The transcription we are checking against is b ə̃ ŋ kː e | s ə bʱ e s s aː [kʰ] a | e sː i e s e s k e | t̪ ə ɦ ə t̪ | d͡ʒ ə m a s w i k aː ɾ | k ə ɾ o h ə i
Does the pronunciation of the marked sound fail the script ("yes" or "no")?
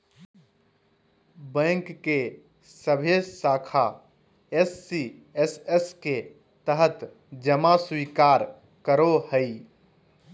no